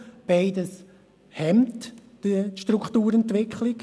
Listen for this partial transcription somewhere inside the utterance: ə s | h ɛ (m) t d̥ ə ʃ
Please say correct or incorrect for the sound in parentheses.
correct